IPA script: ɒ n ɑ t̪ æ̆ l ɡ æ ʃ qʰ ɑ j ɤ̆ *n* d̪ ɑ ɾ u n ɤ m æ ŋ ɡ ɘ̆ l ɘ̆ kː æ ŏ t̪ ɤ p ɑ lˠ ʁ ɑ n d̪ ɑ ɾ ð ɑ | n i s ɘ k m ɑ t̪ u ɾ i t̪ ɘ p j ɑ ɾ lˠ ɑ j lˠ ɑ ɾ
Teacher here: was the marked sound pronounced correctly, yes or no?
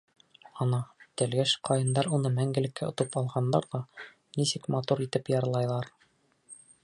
yes